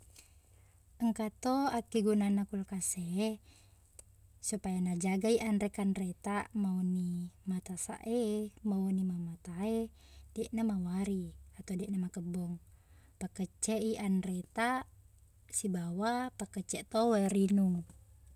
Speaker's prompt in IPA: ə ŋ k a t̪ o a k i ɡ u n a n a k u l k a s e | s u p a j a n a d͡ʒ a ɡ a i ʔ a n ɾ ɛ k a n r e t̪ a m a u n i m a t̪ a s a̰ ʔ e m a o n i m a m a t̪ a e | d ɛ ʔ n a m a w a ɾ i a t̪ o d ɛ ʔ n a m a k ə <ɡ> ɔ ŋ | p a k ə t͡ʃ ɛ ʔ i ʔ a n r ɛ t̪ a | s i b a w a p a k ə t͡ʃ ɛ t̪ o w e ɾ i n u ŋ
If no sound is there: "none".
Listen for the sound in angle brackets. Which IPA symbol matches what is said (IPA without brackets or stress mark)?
b